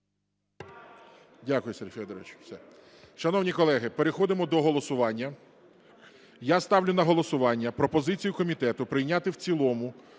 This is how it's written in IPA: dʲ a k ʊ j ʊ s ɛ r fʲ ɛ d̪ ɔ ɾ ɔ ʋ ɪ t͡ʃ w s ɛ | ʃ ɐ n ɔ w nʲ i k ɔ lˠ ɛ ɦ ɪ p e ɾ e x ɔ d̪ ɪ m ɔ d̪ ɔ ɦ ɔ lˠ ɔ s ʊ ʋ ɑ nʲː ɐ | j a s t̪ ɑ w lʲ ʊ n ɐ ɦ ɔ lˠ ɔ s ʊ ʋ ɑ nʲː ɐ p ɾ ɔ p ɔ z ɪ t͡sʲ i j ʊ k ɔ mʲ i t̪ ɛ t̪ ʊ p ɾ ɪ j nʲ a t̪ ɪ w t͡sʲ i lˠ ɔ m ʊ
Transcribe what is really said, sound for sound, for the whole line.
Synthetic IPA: dʲ a k ʊ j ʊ s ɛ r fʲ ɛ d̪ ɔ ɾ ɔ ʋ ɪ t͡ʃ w s ɛ | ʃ ɐ n ɔ w nʲ i k ɔ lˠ ɛ ɦ ɪ p e ɾ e x ɔ d̪ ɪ m ɔ d̪ ɔ ɦ ɔ lˠ ɔ s ʊ ʋ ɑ nʲː ɐ | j a s t̪ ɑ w lʲ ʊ n ɐ ɦ ɔ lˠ ɔ s ʊ ʋ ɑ nʲː ɐ p ɾ ɔ p ɔ z ɪ t͡sʲ i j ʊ k ɔ mʲ i t̪ ɛ t̪ ʊ p ɾ ɪ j nʲ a t̪ ɪ w t͡sʲ i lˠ ɔ m ʊ